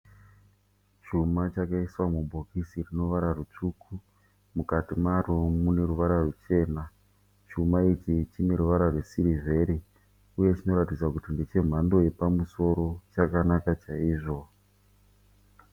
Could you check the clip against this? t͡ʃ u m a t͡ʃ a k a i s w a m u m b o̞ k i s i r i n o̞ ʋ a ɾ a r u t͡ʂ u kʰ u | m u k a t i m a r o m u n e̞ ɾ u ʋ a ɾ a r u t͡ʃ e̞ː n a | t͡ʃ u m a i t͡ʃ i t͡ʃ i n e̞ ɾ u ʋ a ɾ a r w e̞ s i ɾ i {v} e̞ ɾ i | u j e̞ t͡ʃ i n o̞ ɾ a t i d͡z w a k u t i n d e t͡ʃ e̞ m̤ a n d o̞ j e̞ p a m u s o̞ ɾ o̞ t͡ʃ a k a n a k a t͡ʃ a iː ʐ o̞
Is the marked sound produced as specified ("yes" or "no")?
yes